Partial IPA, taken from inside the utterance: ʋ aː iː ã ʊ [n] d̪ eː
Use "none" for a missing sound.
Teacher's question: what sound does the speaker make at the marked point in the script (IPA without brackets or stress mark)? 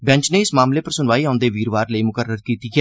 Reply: n